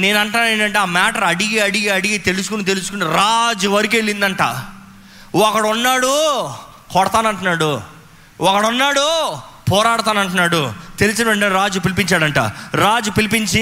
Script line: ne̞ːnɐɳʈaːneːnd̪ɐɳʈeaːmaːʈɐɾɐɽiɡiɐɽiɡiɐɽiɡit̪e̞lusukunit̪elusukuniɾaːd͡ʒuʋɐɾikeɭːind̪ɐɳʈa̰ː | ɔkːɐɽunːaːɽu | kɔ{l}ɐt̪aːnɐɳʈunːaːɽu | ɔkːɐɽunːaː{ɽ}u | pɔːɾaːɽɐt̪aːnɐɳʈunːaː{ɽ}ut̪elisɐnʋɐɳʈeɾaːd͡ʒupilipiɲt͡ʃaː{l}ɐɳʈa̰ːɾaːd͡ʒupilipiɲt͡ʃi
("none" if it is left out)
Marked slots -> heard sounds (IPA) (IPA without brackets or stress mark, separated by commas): ɽ, ɽ, ɽ, ɽ